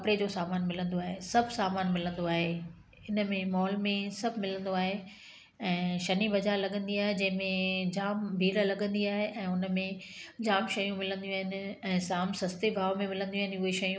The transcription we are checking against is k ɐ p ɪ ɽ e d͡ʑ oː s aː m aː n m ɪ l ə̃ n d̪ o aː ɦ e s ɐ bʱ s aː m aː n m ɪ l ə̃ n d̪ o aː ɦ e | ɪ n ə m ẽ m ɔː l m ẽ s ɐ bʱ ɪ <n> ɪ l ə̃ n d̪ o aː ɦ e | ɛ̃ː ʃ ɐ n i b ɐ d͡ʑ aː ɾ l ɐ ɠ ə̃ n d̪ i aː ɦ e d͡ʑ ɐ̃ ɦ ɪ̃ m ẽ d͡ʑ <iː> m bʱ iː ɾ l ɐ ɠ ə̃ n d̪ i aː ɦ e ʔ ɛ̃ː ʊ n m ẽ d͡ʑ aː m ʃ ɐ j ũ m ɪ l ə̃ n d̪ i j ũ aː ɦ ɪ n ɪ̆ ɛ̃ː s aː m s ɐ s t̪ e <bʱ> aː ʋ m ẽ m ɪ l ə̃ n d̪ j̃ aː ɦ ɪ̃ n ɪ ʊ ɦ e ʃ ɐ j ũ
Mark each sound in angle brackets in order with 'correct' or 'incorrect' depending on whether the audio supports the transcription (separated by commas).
incorrect, incorrect, correct